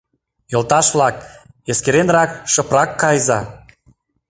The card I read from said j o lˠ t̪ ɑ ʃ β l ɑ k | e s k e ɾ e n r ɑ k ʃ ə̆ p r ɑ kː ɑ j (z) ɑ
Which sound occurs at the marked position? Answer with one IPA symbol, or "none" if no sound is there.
z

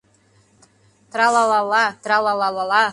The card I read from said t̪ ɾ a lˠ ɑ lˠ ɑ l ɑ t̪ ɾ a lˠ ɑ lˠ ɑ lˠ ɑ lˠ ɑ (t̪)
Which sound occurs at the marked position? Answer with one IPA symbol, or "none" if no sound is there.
none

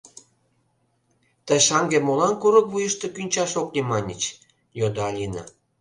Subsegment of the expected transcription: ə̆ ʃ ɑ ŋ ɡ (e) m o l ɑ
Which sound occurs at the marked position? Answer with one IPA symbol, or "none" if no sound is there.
e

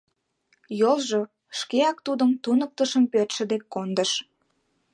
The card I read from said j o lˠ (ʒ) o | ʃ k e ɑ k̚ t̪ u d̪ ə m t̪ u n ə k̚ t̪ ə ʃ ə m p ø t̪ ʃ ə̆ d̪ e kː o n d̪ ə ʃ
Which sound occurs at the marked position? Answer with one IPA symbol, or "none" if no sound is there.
ʒ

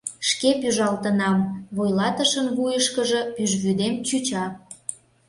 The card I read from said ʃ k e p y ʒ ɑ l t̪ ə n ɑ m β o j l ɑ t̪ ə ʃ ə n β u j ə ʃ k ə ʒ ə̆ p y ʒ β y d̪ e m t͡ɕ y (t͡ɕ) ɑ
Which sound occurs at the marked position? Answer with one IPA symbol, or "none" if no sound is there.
t͡ɕ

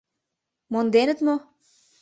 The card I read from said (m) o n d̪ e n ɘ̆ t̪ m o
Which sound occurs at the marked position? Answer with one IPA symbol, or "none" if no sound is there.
m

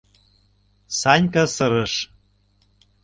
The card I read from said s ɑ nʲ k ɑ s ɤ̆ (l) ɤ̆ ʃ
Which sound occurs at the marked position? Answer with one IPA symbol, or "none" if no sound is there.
ɾ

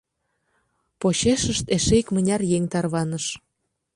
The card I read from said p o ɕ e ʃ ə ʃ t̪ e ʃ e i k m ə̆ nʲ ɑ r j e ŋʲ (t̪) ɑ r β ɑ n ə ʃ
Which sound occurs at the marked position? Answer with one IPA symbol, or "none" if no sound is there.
t̪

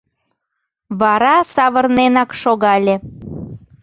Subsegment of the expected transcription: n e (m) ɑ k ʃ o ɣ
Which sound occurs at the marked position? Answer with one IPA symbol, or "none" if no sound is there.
n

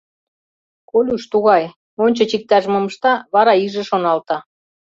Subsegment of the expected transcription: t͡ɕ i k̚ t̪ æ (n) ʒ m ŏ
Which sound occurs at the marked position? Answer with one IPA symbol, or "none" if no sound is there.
none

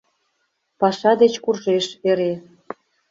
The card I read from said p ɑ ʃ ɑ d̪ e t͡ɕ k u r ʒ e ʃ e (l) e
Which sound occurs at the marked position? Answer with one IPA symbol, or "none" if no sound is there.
ɾ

